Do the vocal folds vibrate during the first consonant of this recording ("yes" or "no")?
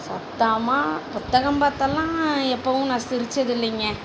no